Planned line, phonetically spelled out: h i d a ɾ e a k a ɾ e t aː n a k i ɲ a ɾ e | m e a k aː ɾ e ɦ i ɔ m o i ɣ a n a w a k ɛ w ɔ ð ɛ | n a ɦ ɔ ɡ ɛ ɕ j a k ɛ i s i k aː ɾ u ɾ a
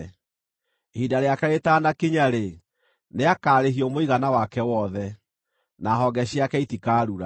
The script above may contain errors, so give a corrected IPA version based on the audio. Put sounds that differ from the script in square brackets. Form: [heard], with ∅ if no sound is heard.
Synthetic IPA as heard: h i d a ɾ e a k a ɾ e t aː n a k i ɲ a ɾ e | [n] e a k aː ɾ e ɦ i ɔ m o i ɣ a n a w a k ɛ w ɔ ð ɛ | n a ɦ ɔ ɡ ɛ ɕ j a k ɛ i [t] i k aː ɾ u ɾ a